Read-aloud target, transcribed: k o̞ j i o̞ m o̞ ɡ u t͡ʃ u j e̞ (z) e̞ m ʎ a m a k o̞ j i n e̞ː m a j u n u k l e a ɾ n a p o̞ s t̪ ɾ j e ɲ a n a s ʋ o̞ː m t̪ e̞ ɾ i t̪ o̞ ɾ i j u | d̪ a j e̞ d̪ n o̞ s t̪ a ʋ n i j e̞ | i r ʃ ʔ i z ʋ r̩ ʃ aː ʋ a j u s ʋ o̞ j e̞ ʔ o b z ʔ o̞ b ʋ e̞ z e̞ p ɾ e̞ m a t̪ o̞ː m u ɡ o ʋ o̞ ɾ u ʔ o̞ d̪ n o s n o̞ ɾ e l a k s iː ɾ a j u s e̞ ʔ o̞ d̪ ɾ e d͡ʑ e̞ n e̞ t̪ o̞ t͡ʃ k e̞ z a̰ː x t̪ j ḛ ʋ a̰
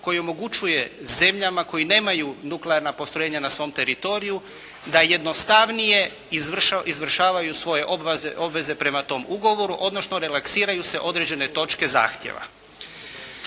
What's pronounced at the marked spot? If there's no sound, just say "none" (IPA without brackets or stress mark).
z